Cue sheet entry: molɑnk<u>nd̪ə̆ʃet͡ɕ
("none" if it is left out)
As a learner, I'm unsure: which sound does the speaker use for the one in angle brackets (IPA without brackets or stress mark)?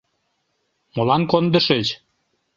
o